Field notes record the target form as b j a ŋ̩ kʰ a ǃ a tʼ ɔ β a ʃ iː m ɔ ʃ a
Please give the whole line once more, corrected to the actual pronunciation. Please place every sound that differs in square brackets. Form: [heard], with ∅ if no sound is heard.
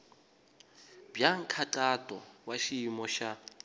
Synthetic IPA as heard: b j a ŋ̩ kʰ a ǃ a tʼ ɔ [w] a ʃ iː m ɔ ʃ a